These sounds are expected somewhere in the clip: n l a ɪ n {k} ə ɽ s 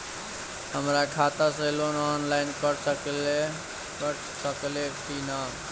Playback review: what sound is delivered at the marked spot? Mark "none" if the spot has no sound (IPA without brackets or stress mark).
k